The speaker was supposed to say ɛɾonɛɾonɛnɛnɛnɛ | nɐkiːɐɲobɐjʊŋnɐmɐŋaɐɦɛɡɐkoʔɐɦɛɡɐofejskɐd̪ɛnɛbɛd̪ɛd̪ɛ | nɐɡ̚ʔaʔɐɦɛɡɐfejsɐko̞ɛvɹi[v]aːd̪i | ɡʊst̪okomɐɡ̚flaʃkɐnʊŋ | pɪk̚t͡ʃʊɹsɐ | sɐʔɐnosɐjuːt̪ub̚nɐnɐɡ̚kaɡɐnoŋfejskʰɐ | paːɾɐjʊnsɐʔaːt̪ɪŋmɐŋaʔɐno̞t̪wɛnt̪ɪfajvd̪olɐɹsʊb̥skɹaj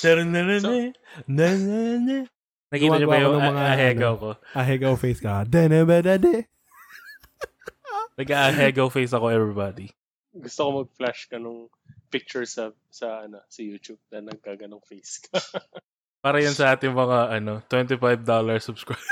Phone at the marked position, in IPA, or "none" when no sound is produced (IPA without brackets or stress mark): b